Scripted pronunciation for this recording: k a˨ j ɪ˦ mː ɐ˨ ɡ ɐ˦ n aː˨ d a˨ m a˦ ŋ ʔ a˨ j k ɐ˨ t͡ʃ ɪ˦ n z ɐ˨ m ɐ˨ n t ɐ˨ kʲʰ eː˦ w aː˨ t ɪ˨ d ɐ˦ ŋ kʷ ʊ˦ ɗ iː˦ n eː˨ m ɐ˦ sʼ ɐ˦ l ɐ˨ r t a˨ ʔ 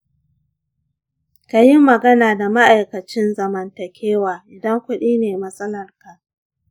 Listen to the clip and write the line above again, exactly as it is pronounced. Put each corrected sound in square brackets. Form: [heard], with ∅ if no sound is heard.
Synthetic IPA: k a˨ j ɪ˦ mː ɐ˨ ɡ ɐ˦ n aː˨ d a˨ m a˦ [∅] ʔ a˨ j k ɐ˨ t͡ʃ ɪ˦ n z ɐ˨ m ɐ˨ n t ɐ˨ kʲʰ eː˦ w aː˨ [ʔ] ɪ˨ d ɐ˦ ŋ kʷ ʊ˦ ɗ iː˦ n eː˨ m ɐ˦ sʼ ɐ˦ l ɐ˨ r [k] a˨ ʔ